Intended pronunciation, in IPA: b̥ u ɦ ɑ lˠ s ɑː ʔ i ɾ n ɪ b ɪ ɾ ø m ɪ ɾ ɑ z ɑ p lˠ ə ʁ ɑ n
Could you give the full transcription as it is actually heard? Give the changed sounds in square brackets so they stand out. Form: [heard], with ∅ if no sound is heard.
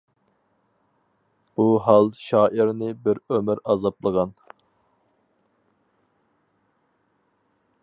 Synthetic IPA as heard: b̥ u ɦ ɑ lˠ [ʃ] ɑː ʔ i ɾ n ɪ b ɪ ɾ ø m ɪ ɾ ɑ z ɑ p lˠ ə ʁ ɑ n